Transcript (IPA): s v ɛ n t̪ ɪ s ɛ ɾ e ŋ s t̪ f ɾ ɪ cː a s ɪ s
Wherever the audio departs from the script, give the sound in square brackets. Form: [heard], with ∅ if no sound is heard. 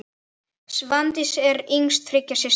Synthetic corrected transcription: s v [a] n t̪ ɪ s ɛ ɾ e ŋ s t̪ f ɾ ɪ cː a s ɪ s